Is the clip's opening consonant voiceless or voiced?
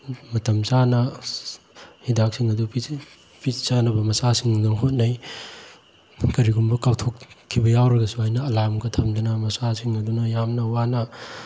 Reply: voiced